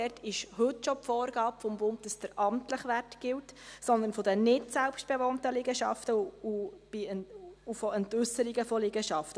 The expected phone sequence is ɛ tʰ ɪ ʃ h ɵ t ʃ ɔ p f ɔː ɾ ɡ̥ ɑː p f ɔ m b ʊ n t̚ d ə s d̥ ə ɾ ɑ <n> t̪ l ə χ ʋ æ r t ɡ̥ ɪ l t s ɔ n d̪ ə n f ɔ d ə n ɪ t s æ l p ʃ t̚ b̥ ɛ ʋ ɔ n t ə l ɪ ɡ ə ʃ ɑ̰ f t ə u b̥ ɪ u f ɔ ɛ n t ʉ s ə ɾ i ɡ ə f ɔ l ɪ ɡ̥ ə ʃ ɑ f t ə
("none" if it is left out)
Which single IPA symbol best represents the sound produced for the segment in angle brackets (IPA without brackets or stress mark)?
m